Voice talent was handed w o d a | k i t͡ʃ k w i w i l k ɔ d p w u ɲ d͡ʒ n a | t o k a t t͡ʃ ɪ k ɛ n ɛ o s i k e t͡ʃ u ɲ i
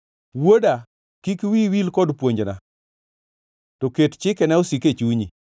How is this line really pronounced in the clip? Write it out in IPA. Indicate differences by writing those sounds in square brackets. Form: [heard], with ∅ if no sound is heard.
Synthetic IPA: w o d a | k i [∅] k w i w i l k ɔ d p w [o] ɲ d͡ʒ n a | t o k [e] t t͡ʃ ɪ k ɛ n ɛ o s i k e t͡ʃ u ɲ i